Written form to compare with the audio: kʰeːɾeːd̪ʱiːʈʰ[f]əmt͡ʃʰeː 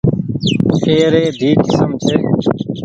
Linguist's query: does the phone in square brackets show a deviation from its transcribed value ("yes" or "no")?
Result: yes